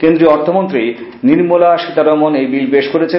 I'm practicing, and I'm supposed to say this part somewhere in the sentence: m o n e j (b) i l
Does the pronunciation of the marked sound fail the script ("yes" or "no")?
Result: no